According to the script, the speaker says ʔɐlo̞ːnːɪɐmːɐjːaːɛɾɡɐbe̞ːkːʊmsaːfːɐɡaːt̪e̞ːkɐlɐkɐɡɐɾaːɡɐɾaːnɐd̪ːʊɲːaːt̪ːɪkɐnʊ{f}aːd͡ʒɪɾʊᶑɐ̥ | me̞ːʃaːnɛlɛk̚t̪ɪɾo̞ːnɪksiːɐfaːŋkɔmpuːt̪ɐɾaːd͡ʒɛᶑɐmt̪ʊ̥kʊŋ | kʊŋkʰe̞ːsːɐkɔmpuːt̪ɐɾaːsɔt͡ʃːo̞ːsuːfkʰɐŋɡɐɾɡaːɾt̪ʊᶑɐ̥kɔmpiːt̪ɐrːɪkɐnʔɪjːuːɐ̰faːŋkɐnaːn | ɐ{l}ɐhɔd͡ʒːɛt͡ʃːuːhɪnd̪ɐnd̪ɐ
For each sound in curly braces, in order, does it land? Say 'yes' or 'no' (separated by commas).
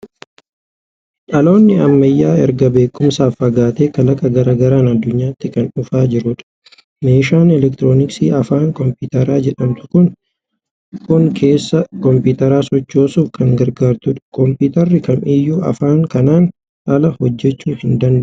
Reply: yes, yes